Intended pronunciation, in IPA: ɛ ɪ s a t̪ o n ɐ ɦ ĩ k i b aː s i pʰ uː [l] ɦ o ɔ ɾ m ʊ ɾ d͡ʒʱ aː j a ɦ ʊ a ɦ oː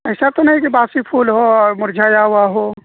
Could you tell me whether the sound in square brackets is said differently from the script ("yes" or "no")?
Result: no